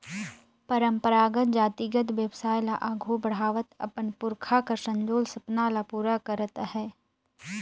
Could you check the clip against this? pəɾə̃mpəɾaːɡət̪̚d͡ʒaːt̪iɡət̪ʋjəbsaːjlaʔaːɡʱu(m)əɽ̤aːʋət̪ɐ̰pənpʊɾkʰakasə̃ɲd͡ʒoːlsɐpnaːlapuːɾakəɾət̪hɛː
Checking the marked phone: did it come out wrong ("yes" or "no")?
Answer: yes